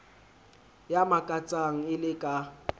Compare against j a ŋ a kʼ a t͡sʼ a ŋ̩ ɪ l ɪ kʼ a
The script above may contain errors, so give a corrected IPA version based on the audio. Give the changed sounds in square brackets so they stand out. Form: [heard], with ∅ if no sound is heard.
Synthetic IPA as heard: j a [m] a kʼ a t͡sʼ a ŋ̩ ɪ l ɪ kʼ a